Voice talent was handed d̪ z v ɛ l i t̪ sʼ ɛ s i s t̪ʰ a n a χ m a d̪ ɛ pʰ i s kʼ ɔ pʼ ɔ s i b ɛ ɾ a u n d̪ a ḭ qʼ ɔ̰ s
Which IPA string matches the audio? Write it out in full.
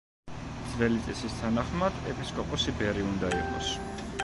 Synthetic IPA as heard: d̪ z v ɛ l i t̪ sʼ ɛ s i s t̪ʰ a n a χ m a d̪ ɛ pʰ i s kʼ ɔ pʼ ɔ s i b ɛ ɾ i u n d̪ a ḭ qʼ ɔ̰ s

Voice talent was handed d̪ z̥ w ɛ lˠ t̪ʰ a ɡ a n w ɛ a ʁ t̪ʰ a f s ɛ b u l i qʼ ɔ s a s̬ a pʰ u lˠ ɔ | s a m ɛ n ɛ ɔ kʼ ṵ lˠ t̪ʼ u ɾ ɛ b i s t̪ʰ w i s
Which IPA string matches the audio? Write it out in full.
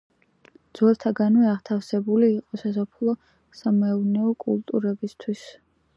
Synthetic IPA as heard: d̪ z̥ w ɛ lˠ t̪ʰ a ɡ a n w ɛ a ʁ t̪ʰ a f s ɛ b u l iː qʼ ɔ s a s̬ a pʰ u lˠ ɔ | s a m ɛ n ɛ ɔ kʼ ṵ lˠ t̪ʼ u ɾ ɛ b i s t̪ʰ w i s

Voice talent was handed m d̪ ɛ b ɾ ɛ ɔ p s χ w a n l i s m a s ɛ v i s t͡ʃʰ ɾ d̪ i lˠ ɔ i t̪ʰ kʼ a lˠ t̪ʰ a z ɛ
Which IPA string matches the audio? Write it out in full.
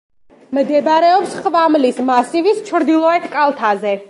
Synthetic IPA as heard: m d̪ ɛ b ɾ ɛ ɔ p s χ v a m l i s m a s i v i s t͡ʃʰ ɾ d̪ i lˠ ɔ ɛ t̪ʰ kʼ a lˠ t̪ʰ a z ɛ

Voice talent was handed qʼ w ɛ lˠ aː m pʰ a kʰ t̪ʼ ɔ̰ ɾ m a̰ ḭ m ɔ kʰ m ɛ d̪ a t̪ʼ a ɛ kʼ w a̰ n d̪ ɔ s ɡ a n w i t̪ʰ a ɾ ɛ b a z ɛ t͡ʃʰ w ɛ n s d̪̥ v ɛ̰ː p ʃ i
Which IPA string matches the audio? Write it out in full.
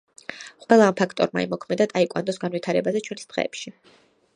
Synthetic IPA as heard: qʼ w ɛ lˠ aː m pʰ a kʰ t̪ʼ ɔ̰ ɾ m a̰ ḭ m ɔ kʰ m ɛ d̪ a t̪ʼ a i kʼ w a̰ n d̪ ɔ s ɡ a n w i t̪ʰ a ɾ ɛ b a z ɛ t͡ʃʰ w ɛ n s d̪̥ ʁ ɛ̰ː p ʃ i

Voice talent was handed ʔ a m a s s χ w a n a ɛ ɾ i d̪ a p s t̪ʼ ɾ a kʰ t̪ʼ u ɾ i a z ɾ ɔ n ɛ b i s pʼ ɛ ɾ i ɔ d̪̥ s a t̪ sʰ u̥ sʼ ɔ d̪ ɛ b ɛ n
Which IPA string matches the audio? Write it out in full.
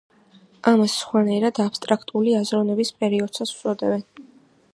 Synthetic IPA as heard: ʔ a m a s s χ w a n a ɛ ɾ a d̪ a p s t̪ʼ ɾ a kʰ t̪ʼ u l i a z ɾ ɔ n ɛ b i s pʼ ɛ ɾ i ɔ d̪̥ s a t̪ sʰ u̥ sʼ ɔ d̪ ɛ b ɛ n

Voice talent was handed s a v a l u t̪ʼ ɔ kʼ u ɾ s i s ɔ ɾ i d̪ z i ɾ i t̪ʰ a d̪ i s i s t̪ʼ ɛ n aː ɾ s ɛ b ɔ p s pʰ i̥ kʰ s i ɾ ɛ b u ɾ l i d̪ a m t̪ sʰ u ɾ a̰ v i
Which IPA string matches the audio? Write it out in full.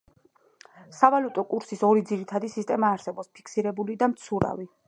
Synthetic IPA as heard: s a v a l u t̪ʼ ɔ kʼ u ɾ s i s ɔ ɾ i d̪ z i ɾ i t̪ʰ a d̪ i s i s t̪ʼ ɛ m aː ɾ s ɛ b ɔ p s pʰ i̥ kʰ s i ɾ ɛ b u l i d̪ a m t̪ sʰ u ɾ a̰ v i

